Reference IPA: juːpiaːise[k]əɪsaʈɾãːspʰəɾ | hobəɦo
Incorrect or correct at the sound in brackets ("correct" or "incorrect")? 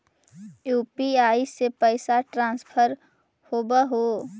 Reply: incorrect